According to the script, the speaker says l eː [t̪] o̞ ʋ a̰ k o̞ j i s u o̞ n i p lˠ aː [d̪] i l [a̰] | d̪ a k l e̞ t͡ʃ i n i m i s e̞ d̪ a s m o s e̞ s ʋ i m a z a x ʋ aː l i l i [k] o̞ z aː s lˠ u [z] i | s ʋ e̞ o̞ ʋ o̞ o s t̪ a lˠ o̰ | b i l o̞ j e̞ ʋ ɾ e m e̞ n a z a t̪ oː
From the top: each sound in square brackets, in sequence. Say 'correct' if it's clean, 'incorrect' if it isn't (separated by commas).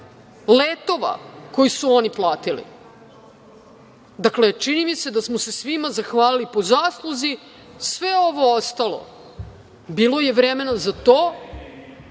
correct, incorrect, incorrect, incorrect, correct